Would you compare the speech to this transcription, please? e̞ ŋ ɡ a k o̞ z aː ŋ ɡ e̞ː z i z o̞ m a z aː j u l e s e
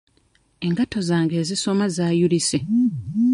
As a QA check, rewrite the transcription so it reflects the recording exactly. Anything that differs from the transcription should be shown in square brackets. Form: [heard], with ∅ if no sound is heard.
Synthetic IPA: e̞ ŋ ɡ a [t] o̞ z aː ŋ ɡ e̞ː z i [s] o̞ m a z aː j u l [i] s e